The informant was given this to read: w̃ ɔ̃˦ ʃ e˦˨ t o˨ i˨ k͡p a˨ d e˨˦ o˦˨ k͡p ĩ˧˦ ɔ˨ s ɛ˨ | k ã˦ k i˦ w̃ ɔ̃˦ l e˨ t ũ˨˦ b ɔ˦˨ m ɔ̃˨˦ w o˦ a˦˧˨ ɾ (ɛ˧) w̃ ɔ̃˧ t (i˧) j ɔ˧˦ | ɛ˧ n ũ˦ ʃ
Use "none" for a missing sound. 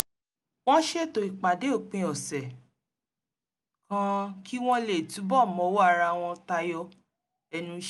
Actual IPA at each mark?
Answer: a˧, a˧

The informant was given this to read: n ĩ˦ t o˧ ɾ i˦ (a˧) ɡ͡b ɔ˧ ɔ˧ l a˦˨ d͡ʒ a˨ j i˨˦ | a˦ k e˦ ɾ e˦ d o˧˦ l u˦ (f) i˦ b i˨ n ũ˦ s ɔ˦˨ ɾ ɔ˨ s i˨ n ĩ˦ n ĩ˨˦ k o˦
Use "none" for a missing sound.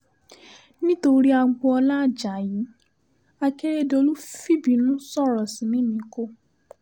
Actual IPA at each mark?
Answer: a˧, f

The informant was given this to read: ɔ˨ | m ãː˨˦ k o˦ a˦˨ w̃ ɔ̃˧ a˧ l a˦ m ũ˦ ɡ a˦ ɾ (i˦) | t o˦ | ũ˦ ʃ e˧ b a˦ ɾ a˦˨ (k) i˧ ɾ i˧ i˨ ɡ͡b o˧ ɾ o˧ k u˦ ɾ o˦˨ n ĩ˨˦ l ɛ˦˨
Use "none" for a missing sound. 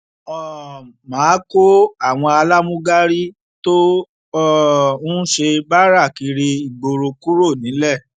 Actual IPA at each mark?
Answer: i˦, k

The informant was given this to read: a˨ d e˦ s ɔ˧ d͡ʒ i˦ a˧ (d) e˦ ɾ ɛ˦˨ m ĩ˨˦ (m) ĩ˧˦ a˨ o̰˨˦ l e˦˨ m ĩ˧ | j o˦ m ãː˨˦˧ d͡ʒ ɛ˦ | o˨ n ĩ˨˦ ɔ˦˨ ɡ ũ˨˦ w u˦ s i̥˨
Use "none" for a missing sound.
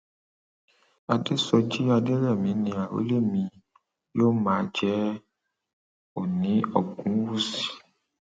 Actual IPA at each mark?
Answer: d, n

